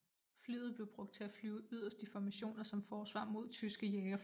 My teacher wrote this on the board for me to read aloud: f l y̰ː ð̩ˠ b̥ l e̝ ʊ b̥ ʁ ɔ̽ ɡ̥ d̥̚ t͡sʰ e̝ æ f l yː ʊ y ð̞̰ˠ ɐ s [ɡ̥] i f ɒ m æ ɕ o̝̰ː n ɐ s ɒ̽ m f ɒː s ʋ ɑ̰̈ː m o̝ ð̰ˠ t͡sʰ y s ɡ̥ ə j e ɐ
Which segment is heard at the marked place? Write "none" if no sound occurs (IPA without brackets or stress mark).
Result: d̥